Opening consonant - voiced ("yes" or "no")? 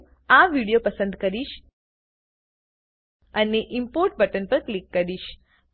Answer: yes